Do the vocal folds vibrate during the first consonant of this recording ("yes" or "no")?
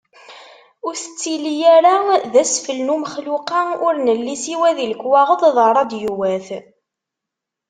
yes